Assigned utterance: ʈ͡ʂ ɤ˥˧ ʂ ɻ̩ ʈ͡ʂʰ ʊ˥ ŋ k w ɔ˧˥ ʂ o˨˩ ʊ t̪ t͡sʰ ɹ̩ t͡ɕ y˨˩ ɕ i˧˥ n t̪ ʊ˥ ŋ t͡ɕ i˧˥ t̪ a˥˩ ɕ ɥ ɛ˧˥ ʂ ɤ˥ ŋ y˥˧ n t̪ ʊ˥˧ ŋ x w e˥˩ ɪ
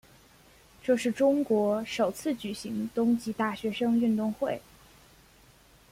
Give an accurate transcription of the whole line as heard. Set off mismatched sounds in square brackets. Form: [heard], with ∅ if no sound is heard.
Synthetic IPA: ʈ͡ʂ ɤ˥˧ ʂ ɻ̩ [ʈ͡ʂ] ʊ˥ ŋ k w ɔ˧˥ ʂ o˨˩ ʊ [∅] t͡sʰ ɹ̩ t͡ɕ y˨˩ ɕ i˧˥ [ŋ] t̪ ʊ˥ ŋ t͡ɕ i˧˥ t̪ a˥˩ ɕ ɥ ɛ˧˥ ʂ ɤ˥ ŋ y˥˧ n t̪ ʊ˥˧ ŋ x w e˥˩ ɪ

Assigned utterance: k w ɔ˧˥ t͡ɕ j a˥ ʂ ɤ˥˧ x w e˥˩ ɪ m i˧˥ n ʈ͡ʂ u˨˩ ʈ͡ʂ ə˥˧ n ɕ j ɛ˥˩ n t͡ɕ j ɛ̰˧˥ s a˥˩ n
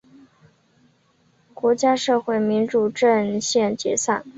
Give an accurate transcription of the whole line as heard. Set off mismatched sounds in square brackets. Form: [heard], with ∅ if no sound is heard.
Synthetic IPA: k w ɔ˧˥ t͡ɕ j a˥ ʂ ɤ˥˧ x w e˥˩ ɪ m i˧˥ n ʈ͡ʂ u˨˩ ʈ͡ʂ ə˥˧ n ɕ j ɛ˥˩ n t͡ɕ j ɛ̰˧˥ s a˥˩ n

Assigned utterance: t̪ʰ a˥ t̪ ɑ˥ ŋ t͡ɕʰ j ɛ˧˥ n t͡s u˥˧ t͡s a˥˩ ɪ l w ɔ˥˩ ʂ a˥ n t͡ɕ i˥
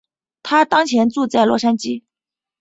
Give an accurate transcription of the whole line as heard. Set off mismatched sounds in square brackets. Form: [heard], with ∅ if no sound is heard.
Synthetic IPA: t̪ʰ a˥ t̪ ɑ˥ ŋ t͡ɕʰ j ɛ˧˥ n t͡s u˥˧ t͡s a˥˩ ɪ l w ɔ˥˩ ʂ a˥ n t͡ɕ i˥

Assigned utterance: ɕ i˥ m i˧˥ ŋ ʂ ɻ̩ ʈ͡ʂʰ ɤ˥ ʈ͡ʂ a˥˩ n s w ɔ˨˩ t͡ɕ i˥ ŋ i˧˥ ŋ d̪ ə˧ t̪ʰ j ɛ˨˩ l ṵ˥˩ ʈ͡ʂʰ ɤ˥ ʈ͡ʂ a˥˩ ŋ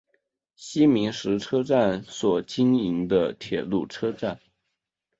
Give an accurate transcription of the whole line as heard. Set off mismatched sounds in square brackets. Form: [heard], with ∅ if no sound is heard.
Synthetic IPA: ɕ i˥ m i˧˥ ŋ ʂ ɻ̩ ʈ͡ʂʰ ɤ˥ ʈ͡ʂ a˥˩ n s w ɔ˨˩ t͡ɕ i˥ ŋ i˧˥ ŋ d̪ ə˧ t̪ʰ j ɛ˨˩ l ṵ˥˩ ʈ͡ʂʰ ɤ˥ ʈ͡ʂ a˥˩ [n]

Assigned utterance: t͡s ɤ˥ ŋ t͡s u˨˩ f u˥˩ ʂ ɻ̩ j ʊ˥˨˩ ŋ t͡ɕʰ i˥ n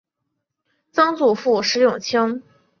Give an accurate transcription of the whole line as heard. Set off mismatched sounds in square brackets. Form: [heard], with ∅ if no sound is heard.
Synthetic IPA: t͡s ɤ˥ ŋ t͡s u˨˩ f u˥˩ ʂ ɻ̩ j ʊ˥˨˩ ŋ t͡ɕʰ i˥ [ŋ]

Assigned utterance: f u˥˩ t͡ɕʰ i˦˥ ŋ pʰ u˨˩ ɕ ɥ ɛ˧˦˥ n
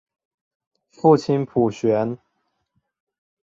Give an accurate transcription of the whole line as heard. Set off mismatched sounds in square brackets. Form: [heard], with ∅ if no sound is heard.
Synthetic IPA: f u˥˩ t͡ɕʰ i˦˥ [n] pʰ u˨˩ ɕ ɥ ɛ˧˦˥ n

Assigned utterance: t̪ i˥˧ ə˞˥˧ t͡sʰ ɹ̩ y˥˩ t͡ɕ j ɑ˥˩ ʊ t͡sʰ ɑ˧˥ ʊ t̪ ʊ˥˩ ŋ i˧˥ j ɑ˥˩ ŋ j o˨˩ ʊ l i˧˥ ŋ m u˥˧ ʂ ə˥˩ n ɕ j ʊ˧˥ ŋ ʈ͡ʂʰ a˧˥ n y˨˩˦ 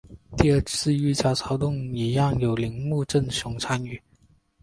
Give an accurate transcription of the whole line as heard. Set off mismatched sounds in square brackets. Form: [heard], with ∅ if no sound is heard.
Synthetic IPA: t̪ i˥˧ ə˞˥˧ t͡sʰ ɹ̩ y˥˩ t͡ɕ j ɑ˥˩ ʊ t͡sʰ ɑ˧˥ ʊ t̪ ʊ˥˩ ŋ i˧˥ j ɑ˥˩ ŋ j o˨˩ ʊ l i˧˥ ŋ m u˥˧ [ʈ͡ʂ] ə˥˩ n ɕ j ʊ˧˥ ŋ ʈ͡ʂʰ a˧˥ n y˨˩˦

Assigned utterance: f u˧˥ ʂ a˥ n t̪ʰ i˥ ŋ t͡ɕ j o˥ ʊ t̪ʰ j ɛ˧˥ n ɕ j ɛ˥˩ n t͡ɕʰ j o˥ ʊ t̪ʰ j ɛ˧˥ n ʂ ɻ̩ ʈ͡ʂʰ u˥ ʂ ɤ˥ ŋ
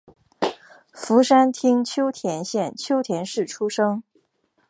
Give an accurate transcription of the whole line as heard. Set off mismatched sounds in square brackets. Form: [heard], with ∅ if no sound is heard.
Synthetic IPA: f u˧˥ ʂ a˥ n t̪ʰ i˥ ŋ [t͡ɕʰ] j o˥ ʊ t̪ʰ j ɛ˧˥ n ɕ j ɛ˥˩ n t͡ɕʰ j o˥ ʊ t̪ʰ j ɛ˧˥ n ʂ ɻ̩ ʈ͡ʂʰ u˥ ʂ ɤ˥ ŋ

